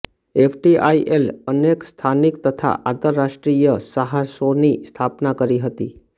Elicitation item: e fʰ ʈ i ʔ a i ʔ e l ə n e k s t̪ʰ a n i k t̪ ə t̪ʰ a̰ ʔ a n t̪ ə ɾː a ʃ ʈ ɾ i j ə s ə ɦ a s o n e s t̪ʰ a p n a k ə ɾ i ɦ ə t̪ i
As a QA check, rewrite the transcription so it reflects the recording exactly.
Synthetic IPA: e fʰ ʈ i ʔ a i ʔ e l ə n e k s t̪ʰ a n i k t̪ ə t̪ʰ a̰ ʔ a n t̪ ə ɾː a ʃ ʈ ɾ i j ə s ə ɦ a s o n i s t̪ʰ a p n a k ə ɾ i ɦ ə t̪ i